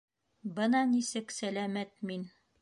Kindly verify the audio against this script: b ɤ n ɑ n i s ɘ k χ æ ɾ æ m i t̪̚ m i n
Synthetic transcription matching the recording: b ɤ n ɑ n i s ɘ k s æ l æ m æ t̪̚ m i n